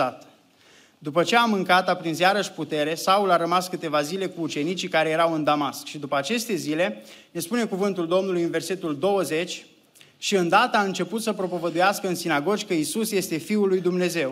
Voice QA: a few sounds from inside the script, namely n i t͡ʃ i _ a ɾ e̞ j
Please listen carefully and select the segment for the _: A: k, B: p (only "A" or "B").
A